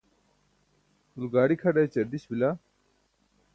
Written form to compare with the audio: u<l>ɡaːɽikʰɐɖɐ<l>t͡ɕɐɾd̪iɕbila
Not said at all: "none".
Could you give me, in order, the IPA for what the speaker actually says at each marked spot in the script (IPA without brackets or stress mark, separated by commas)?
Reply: l, none